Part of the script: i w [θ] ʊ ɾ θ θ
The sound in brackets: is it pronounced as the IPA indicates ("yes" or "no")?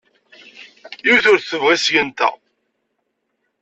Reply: yes